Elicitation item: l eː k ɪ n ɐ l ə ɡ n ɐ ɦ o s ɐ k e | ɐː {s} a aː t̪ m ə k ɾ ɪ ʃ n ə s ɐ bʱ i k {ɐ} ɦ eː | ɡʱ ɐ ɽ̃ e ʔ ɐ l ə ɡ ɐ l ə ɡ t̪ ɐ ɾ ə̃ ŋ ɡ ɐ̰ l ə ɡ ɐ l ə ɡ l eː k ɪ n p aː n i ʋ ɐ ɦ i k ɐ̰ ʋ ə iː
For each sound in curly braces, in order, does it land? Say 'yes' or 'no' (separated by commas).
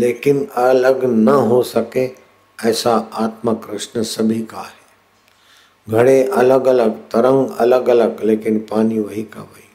yes, no